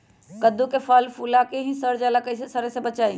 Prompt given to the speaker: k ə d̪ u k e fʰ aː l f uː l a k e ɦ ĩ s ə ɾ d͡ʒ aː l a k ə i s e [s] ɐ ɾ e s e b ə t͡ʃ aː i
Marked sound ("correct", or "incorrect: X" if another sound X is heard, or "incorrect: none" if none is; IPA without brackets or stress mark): correct